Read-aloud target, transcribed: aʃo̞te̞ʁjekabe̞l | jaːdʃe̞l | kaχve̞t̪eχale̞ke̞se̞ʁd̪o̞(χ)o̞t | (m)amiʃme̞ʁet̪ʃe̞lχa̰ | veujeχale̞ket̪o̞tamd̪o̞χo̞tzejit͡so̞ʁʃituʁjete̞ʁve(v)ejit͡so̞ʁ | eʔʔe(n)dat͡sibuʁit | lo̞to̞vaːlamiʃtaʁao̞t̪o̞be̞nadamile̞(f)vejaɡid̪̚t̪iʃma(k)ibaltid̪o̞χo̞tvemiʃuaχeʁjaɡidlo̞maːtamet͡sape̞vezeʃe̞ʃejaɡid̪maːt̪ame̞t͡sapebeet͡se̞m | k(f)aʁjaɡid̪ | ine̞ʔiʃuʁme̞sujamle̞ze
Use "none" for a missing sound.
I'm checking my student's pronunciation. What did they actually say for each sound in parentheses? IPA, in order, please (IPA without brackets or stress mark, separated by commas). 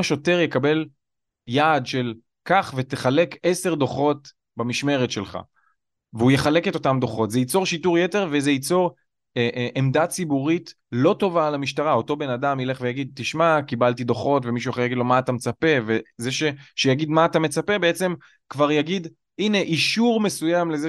χ, b, z, m, χ, k, v